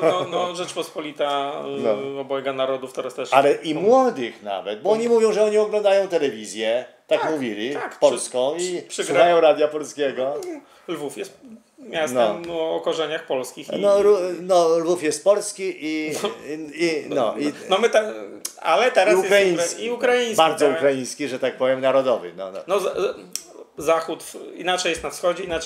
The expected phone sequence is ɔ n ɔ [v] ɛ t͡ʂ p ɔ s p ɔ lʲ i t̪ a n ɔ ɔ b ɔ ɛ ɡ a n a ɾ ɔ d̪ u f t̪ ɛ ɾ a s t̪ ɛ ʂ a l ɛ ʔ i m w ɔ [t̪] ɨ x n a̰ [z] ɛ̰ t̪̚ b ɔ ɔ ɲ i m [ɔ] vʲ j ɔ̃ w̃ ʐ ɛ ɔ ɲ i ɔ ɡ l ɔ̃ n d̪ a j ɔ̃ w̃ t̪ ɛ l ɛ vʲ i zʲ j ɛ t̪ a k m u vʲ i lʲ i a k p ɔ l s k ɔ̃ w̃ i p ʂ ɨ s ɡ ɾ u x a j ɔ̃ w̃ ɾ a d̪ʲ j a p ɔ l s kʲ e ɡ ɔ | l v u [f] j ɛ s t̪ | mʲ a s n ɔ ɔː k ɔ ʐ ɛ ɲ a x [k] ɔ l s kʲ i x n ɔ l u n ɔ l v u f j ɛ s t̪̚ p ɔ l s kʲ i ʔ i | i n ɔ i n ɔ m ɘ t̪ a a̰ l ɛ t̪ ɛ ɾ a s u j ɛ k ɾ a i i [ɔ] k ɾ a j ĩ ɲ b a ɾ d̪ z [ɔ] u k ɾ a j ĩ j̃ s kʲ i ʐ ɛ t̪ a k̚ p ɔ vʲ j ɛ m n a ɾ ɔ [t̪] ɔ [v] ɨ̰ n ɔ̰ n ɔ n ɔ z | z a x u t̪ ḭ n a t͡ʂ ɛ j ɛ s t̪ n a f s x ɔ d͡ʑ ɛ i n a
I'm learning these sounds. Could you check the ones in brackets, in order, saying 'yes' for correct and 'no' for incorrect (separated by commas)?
no, no, no, no, yes, no, no, yes, no, yes